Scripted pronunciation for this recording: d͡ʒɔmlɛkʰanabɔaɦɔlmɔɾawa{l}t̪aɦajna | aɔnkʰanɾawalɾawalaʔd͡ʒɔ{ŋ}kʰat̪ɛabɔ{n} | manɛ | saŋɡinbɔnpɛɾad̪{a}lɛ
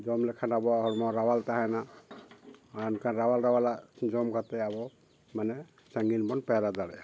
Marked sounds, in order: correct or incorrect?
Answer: correct, incorrect, incorrect, correct

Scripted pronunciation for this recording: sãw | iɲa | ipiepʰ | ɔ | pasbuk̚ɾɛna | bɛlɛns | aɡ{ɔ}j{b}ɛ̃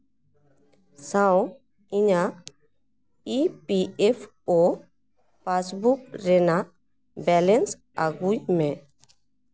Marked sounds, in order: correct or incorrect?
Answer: incorrect, incorrect

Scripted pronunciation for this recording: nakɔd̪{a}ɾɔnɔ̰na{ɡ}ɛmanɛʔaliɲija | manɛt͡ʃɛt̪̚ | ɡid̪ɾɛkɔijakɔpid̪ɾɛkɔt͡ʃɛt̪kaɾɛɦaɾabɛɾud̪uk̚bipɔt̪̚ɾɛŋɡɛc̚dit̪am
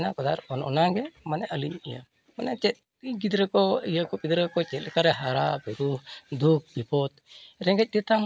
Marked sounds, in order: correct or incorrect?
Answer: correct, correct

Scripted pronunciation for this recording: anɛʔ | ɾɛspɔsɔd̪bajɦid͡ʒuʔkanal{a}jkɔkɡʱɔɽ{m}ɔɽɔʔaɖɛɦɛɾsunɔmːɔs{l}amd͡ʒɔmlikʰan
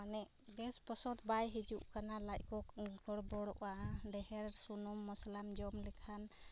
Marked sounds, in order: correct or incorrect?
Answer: correct, incorrect, correct

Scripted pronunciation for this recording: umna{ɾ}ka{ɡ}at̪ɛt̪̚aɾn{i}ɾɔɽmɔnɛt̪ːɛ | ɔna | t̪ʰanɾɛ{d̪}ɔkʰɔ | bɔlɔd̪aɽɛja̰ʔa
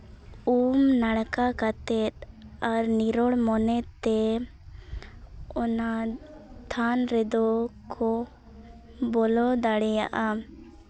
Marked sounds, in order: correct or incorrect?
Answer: incorrect, incorrect, correct, correct

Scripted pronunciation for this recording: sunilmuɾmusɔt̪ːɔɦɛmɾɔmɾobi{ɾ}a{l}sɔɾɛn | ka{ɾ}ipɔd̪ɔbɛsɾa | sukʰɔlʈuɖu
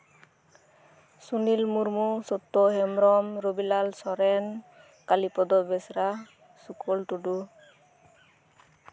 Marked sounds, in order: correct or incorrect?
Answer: incorrect, correct, incorrect

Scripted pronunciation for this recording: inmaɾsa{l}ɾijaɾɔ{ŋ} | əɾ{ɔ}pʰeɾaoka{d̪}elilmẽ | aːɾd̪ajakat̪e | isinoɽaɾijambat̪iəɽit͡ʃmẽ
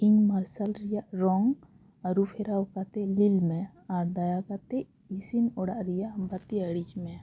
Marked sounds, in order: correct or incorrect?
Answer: correct, correct, incorrect, incorrect

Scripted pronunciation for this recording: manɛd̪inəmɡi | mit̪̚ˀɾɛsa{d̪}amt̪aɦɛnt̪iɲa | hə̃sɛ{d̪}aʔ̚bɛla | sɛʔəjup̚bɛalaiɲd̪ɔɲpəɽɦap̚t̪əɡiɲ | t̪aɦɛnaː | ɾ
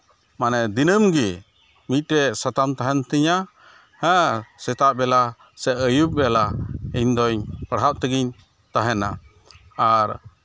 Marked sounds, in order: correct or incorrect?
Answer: incorrect, incorrect

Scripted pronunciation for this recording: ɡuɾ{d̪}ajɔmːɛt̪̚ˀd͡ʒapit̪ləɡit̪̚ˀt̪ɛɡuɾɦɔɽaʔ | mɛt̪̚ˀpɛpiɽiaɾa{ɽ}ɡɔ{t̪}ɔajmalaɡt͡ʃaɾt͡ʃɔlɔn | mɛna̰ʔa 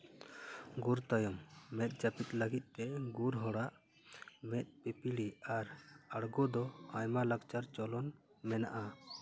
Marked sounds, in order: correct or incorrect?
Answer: incorrect, correct, incorrect

